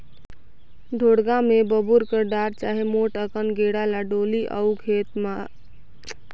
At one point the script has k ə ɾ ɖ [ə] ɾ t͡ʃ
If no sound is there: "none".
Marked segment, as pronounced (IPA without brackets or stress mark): a